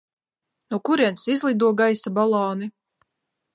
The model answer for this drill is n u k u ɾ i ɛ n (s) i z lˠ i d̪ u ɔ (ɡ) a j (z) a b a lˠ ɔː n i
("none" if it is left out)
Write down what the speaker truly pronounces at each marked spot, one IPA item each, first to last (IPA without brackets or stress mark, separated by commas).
s, ɡ, s